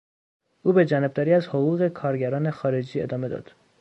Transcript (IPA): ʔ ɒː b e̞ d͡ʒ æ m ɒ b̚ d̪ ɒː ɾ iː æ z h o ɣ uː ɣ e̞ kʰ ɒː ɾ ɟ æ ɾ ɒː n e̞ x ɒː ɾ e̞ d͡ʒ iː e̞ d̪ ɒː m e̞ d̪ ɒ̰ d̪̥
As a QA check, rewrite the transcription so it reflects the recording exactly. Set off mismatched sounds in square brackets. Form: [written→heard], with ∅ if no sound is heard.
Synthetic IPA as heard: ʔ [ɒː→uː] b e̞ d͡ʒ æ [m→n] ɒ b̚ d̪ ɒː ɾ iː æ z h o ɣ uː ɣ e̞ kʰ ɒː ɾ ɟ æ ɾ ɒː n e̞ x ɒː ɾ e̞ d͡ʒ iː e̞ d̪ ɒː m e̞ d̪ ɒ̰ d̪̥

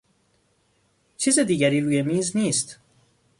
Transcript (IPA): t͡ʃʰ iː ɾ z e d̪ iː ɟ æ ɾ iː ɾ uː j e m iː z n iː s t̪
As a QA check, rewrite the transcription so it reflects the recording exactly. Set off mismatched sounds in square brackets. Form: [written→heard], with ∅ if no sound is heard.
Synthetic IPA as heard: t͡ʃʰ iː [ɾ→∅] z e d̪ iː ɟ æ ɾ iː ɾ uː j e m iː z n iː s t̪

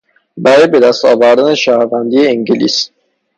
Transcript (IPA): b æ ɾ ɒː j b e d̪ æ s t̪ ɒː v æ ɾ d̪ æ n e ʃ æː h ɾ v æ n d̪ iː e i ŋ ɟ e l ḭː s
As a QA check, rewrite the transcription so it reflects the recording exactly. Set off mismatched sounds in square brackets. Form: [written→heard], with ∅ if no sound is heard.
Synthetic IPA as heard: b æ ɾ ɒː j b e d̪ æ s t̪ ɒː v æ ɾ d̪ æ n e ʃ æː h ɾ v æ n d̪ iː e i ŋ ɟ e l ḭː s

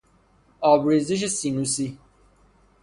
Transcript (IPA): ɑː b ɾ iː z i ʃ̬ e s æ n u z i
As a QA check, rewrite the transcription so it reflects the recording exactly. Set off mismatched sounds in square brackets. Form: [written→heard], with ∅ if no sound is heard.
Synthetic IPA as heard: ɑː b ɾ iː z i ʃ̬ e s [æ→i] n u [z→s] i

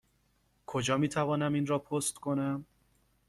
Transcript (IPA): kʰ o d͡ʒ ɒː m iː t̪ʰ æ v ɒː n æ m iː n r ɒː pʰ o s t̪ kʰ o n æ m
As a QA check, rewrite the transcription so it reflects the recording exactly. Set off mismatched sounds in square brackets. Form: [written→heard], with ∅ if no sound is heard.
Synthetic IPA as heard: kʰ o d͡ʒ ɒː m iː t̪ʰ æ v ɒː n æ m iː n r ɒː pʰ o s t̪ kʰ o n æ m

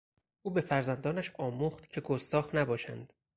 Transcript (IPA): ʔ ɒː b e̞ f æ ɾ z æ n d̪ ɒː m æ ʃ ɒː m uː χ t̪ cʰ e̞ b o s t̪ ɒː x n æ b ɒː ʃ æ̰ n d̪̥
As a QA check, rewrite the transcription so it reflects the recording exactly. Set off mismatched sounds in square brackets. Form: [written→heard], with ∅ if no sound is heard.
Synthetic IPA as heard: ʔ [ɒː→uː] b e̞ f æ ɾ z æ n d̪ ɒː [m→n] æ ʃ ɒː m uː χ t̪ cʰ e̞ [b→ɡ] o s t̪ ɒː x n æ b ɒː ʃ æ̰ n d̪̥

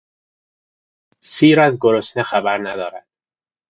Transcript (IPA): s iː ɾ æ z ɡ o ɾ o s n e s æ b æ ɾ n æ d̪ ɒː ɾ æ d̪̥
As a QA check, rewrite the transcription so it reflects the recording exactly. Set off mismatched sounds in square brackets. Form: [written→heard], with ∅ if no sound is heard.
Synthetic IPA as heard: s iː ɾ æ z ɡ o ɾ o s n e [s→x] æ b æ ɾ n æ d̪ ɒː ɾ æ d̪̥

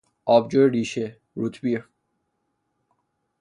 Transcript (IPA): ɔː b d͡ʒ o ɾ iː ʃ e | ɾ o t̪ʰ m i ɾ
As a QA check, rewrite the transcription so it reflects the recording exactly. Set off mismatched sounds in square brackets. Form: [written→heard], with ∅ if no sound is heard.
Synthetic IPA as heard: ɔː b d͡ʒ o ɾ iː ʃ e | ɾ [o→u] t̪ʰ [m→b] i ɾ

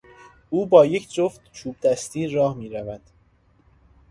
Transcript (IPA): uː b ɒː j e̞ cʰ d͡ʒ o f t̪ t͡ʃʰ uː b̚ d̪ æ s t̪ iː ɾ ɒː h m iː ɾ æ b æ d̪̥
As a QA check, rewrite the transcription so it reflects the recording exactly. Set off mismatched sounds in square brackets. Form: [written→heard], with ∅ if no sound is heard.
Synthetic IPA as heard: uː b ɒː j e̞ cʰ d͡ʒ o f t̪ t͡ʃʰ uː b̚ d̪ æ s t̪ iː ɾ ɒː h m iː ɾ æ [b→v] æ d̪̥

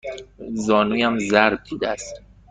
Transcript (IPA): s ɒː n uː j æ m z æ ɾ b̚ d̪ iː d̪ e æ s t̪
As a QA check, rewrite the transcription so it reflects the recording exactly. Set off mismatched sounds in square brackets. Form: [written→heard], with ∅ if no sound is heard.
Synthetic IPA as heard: [s→z] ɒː n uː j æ m z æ ɾ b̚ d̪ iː d̪ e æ s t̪

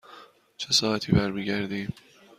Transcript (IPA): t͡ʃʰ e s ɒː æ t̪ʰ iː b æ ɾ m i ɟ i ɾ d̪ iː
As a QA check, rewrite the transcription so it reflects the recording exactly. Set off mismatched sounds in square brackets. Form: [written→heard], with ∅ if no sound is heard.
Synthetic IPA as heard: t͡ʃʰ e s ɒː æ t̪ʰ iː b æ ɾ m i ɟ [i→æ] ɾ d̪ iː

